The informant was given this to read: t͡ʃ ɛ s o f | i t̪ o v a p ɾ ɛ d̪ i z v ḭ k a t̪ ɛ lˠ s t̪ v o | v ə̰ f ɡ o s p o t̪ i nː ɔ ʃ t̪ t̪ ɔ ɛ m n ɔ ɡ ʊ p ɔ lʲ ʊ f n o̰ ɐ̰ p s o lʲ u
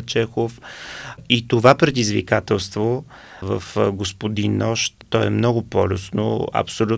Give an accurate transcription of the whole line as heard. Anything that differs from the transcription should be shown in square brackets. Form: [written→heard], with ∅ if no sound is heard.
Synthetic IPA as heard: t͡ʃ ɛ [s→x] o f | i t̪ o v a p ɾ ɛ d̪ i z v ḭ k a t̪ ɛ lˠ s t̪ v o | v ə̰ f ɡ o s p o [t̪→d̪] i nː ɔ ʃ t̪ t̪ ɔ ɛ m n ɔ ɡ ʊ p ɔ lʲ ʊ [f→s] n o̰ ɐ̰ p s o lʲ u